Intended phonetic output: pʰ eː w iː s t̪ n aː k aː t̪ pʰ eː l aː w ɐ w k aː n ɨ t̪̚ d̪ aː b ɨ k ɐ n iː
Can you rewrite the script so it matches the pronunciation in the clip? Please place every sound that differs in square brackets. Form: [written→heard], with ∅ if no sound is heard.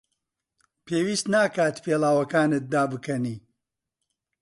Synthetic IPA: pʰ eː w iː s t̪ n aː k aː t̪ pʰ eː l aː w ɐ [w→∅] k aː n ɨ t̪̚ d̪ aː b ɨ k ɐ n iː